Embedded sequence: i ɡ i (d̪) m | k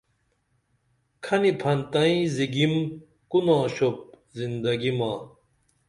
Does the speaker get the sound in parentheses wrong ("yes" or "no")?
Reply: yes